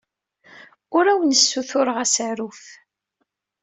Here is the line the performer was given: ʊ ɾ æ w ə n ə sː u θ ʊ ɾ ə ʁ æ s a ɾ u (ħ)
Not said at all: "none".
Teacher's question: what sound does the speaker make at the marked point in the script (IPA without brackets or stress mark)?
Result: f